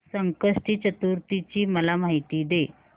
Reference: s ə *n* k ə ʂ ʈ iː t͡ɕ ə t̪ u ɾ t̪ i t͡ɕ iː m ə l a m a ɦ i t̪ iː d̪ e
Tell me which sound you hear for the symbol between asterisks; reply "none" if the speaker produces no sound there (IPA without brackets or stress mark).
ŋ